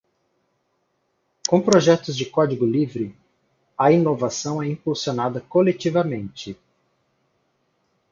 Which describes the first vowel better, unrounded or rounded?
rounded